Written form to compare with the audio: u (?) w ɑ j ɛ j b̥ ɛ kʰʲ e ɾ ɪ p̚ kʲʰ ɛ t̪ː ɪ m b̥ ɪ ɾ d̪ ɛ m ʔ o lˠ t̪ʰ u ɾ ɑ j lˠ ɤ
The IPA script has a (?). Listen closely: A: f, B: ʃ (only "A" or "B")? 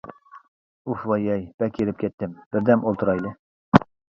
A